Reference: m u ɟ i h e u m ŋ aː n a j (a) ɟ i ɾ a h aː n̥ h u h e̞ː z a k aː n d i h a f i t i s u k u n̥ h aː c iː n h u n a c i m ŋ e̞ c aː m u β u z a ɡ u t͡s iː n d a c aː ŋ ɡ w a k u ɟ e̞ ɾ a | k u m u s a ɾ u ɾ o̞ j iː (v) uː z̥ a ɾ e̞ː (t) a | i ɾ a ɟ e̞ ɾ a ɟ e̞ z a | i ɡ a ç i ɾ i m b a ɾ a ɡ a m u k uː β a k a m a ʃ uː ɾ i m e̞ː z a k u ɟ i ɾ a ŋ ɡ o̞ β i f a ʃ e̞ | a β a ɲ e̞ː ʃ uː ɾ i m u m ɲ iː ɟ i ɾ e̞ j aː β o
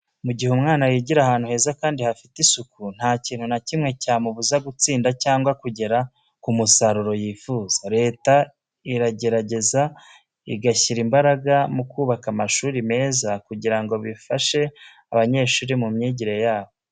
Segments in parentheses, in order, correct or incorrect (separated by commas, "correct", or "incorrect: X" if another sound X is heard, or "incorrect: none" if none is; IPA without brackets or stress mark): incorrect: i, incorrect: f, correct